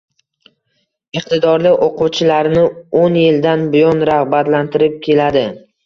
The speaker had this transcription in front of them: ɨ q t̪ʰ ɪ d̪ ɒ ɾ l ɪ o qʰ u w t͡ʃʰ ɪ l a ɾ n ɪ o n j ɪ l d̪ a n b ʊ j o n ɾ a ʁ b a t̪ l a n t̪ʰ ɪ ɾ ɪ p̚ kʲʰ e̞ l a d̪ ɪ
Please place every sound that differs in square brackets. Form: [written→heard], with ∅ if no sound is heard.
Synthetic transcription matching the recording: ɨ q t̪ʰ ɪ d̪ ɒ ɾ l ɪ o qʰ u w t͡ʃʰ ɪ l a ɾ n ɪ o n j ɪ l d̪ a n b ʊ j [o→ɒ] n ɾ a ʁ b a t̪ l a n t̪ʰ ɪ ɾ ɪ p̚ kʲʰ e̞ l a d̪ ɪ